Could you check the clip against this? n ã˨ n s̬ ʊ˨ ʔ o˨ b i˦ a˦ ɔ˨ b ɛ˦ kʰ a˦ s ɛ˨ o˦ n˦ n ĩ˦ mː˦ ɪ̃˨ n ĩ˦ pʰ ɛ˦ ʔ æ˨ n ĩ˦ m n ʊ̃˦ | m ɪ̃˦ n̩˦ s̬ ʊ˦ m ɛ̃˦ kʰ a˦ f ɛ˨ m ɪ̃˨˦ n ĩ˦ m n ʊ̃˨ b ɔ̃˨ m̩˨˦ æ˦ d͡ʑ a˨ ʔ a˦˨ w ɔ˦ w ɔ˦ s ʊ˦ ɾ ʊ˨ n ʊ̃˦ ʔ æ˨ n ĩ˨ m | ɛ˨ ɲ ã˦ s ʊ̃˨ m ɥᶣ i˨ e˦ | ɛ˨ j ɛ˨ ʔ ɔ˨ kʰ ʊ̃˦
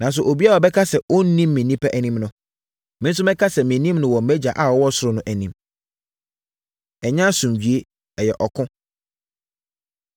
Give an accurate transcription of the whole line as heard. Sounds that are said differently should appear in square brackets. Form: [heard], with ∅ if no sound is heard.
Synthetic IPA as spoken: n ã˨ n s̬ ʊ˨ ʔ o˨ b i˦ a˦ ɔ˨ b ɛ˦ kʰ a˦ s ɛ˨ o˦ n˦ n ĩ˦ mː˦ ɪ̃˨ n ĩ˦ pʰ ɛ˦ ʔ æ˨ n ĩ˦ m n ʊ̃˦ | m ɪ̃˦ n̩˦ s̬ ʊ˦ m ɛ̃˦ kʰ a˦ [s] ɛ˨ m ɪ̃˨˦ n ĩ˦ m n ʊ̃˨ [w] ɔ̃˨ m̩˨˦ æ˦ d͡ʑ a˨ ʔ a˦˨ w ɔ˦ w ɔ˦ s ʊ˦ ɾ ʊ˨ n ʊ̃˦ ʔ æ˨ n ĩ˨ m | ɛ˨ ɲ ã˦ s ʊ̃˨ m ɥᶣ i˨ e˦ | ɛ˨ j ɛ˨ ʔ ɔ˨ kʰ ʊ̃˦

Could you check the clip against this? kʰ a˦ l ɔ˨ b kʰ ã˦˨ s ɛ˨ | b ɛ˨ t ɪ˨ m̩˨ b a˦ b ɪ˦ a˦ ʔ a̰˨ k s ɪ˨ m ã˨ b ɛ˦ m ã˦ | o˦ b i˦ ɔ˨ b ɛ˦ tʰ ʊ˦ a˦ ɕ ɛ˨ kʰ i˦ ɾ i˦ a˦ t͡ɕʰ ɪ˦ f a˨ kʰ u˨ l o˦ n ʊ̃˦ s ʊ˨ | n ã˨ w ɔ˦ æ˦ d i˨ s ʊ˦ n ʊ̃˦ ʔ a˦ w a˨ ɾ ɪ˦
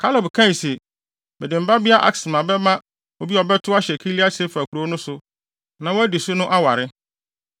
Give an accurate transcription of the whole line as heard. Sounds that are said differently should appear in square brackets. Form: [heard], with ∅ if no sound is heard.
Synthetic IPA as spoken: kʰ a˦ l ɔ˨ b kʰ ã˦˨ s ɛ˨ | b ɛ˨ [d] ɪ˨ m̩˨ b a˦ b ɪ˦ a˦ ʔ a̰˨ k s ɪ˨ m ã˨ b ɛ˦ m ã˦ | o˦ b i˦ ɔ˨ b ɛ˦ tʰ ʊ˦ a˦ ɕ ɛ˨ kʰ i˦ [l] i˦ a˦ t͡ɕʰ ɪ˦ f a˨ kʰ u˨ [ɾ] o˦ n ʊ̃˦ s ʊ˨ | n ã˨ w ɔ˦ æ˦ d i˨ s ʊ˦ n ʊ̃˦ ʔ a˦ w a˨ ɾ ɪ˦

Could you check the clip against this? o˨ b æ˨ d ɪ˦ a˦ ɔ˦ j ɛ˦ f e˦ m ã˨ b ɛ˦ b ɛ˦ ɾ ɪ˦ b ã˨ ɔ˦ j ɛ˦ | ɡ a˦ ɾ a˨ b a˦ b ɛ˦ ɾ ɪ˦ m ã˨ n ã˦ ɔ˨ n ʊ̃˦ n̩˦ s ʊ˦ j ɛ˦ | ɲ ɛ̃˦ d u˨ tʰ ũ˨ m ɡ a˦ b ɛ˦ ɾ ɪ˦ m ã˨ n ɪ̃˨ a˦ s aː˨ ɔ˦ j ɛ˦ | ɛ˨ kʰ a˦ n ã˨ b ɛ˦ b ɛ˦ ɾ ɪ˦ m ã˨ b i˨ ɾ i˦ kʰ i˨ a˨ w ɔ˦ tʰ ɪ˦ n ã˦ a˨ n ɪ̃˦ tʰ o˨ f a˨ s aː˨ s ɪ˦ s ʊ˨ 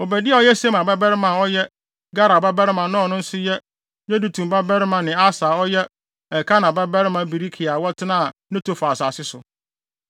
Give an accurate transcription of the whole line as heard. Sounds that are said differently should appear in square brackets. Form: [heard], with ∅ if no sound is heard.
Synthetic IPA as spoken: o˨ b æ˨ d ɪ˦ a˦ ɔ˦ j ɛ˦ [s] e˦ m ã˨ b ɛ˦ b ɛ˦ ɾ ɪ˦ [m] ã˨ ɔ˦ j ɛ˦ | ɡ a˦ ɾ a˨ b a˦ b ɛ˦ ɾ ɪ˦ m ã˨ n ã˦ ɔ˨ n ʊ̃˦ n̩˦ s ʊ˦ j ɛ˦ | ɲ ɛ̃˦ d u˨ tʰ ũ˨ m [b] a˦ b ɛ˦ ɾ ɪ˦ m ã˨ n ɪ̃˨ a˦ s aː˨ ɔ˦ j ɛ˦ | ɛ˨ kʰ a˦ n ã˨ b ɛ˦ b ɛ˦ ɾ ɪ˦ m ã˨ b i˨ ɾ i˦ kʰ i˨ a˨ w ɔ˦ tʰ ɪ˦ n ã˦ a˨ n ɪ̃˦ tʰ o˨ f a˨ s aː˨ s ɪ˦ s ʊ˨

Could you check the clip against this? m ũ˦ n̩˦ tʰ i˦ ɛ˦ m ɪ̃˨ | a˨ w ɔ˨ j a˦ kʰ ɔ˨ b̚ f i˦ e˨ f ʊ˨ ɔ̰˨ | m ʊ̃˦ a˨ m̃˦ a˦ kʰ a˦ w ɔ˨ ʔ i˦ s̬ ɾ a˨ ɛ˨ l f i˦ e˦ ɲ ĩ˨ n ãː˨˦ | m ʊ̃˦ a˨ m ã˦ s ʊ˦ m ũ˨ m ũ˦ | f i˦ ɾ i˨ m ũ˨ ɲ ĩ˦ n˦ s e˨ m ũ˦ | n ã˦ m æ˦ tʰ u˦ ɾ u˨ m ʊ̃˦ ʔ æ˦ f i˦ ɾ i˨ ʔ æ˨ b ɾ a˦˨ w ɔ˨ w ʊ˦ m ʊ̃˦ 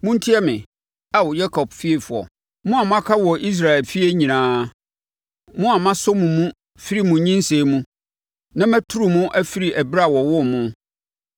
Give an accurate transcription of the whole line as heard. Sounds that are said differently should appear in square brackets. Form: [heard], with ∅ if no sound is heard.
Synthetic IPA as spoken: m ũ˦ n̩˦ tʰ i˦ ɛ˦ m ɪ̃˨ | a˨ w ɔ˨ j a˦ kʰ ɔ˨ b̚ f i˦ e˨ f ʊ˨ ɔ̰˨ | m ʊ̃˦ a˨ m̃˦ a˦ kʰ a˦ w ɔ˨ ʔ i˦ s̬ ɾ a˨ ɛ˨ l f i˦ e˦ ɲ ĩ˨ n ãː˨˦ | m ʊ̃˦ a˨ m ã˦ s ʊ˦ m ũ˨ m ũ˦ | f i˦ ɾ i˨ m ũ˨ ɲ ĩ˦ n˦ s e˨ m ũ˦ | n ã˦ m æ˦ tʰ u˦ ɾ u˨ m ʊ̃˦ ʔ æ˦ f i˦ ɾ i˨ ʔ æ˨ b ɾ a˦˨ w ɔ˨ w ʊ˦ m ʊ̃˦

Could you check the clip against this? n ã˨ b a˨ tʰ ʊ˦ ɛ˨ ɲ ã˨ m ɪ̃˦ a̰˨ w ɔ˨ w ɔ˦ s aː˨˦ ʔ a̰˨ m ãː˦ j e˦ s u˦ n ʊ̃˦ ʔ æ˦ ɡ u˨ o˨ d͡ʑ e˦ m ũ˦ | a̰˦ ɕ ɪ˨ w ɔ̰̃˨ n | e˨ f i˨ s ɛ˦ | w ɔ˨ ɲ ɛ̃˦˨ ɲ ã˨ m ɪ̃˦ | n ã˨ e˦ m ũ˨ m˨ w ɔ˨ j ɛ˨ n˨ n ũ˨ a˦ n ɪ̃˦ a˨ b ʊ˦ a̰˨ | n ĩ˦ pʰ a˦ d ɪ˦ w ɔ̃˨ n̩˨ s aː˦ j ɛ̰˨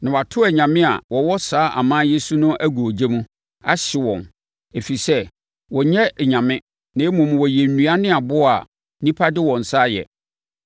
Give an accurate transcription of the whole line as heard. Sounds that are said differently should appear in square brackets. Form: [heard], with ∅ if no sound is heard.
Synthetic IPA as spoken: n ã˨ [w] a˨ tʰ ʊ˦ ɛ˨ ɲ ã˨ m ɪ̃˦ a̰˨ w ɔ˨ w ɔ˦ s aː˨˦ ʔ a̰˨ m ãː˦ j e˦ s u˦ n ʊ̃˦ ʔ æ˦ ɡ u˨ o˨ d͡ʑ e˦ m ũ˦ | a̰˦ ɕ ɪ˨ w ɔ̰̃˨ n | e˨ f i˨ s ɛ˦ | w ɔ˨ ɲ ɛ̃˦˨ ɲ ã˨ m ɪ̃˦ | n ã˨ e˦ m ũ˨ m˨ w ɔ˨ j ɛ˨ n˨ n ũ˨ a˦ n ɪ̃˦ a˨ b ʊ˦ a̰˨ | n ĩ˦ pʰ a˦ d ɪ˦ w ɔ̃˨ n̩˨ s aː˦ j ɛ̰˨

